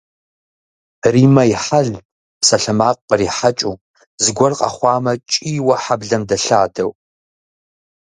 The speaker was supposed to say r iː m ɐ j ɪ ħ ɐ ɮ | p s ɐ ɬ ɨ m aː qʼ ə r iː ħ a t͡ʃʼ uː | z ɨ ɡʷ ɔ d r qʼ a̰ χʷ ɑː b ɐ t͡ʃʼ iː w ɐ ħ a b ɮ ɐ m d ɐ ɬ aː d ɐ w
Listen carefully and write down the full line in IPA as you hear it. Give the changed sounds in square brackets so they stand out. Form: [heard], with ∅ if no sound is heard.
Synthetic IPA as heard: r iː m ɐ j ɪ ħ [a] ɮ | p s ɐ ɬ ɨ m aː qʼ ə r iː ħ a t͡ʃʼ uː | z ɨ ɡʷ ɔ [∅] r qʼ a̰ χʷ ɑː [m] ɐ t͡ʃʼ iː w ɐ ħ a b ɮ ɐ m d ɐ ɬ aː d ɐ w